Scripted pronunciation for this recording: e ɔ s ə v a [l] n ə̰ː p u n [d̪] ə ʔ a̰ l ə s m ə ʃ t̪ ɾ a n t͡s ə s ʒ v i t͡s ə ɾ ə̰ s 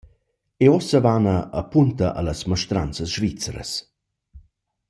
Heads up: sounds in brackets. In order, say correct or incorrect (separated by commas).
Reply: incorrect, incorrect